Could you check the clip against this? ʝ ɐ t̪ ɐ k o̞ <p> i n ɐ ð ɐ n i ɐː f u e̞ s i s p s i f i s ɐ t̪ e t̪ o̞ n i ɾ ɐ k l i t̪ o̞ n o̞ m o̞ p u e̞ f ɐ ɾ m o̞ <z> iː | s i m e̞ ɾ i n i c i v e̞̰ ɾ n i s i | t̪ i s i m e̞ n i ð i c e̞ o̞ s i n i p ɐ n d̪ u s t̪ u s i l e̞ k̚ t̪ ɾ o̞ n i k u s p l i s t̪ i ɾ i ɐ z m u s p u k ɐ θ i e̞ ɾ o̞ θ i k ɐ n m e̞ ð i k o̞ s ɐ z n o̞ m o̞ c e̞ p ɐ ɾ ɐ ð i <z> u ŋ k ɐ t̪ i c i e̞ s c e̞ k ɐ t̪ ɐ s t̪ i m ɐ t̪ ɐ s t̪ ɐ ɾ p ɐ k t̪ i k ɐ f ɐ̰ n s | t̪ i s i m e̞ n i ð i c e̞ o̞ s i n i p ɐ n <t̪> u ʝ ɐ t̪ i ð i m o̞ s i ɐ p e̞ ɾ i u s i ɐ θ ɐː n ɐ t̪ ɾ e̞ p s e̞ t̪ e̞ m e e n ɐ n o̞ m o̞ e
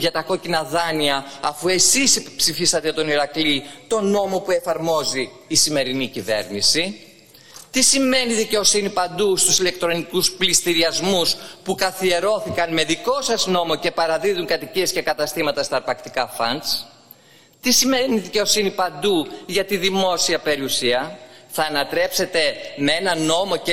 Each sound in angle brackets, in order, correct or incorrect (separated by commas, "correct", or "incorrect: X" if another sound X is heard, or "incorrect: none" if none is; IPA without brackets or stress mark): incorrect: c, correct, incorrect: ð, incorrect: d̪